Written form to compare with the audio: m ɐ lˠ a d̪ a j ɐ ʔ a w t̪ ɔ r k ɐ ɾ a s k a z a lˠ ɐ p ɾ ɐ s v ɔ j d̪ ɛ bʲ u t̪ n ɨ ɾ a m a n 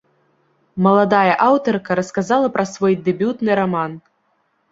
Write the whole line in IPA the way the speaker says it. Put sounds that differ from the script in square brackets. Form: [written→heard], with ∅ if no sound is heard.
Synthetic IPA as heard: m ɐ lˠ a d̪ a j ɐ ʔ a w t̪ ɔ r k ɐ ɾ [a→ɐ] s k a z a lˠ ɐ p ɾ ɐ s v ɔ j d̪ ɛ bʲ u t̪ n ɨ ɾ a m a n